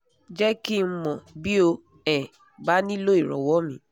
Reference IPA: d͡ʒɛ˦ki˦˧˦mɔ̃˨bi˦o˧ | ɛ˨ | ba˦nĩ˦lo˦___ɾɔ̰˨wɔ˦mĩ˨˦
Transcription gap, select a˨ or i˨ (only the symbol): i˨